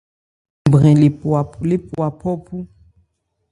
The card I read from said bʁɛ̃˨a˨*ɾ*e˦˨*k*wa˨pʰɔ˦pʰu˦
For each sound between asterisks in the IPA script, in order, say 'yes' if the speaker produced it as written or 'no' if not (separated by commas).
no, no